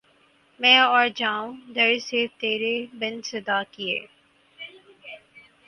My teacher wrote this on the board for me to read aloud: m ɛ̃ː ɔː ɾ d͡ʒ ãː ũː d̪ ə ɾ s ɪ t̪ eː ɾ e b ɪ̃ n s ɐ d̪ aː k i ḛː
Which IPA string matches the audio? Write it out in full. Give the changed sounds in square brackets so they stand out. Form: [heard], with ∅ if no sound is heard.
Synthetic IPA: m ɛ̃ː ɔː ɾ d͡ʒ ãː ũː d̪ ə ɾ s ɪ t̪ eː ɾ e b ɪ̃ n s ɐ d̪ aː k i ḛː

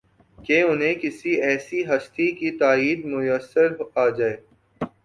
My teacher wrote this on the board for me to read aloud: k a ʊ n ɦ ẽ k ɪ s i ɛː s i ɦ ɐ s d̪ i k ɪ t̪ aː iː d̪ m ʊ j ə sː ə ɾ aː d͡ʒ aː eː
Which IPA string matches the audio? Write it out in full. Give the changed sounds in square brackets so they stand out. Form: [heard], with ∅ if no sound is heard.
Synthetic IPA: k [e] ʊ n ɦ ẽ k ɪ s i ɛː s i ɦ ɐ s [t̪] i k [i] t̪ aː iː d̪ m ʊ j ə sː ə ɾ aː d͡ʒ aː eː

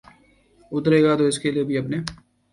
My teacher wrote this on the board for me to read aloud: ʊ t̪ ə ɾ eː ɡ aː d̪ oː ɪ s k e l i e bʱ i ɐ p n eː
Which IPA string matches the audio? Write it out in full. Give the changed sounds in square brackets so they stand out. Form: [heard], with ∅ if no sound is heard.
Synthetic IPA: ʊ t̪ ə ɾ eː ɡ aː [t̪] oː ɪ s k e l i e bʱ i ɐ p n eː

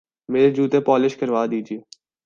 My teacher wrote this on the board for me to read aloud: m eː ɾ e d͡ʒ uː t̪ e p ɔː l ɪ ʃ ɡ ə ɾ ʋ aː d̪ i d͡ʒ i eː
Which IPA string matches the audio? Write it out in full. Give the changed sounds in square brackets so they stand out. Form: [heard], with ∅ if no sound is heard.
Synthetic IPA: m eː ɾ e d͡ʒ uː t̪ e p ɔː l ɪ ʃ [k] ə ɾ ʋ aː d̪ [iː] d͡ʒ i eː

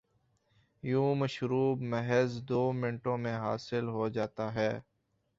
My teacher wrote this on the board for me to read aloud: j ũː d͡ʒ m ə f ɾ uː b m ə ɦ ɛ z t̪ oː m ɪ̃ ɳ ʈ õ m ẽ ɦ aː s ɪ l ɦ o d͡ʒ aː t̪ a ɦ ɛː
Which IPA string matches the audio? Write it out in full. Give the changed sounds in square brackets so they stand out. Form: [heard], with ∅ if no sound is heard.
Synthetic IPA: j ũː [∅] m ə [ʃ] ɾ uː b m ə ɦ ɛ z [d̪] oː m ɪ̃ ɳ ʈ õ m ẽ ɦ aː s ɪ l ɦ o d͡ʒ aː t̪ a ɦ ɛː

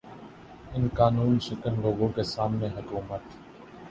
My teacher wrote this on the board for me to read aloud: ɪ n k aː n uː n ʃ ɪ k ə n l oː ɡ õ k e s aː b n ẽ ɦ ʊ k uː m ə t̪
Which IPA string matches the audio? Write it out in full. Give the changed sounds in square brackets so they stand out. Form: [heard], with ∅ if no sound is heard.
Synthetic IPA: ɪ n k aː n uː n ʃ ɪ k ə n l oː ɡ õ k e s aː [m] n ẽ ɦ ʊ k uː m ə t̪

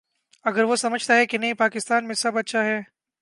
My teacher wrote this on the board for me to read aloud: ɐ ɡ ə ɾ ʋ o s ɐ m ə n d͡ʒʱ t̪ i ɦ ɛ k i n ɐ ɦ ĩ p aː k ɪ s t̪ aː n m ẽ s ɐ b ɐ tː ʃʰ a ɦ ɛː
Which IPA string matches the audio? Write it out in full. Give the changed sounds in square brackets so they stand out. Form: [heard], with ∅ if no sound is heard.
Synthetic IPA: ɐ ɡ ə ɾ ʋ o s ɐ m ə [∅] d͡ʒʱ t̪ [a] ɦ ɛ k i n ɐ ɦ ĩ p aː k ɪ s t̪ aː n m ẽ s ɐ b ɐ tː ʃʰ a ɦ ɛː

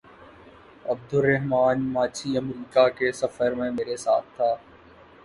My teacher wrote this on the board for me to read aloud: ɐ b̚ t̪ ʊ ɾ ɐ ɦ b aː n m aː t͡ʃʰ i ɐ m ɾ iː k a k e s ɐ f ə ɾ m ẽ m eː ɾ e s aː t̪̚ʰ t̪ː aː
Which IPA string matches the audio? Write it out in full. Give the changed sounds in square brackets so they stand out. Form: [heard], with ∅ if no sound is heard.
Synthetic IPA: ɐ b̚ [d̪] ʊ ɾ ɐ ɦ [m] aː n m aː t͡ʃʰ i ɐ m ɾ iː k a k e s ɐ f ə ɾ m ẽ m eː ɾ e s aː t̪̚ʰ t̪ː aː

